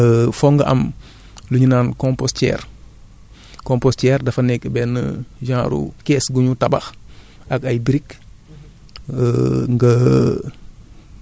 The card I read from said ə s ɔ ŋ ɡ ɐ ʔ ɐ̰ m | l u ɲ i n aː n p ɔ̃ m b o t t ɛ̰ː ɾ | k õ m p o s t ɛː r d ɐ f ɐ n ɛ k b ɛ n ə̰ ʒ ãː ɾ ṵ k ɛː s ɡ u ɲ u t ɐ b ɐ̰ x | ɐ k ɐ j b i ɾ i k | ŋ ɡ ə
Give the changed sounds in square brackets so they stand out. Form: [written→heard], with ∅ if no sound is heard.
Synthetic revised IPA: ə [s→f] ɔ ŋ ɡ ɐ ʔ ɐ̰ m | l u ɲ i n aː n [p→k] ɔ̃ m [b→p] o [t→s] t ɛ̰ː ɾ | k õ m p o s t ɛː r d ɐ f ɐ n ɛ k b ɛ n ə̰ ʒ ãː ɾ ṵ k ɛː s ɡ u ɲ u t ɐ b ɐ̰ x | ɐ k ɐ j b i ɾ i k | ŋ ɡ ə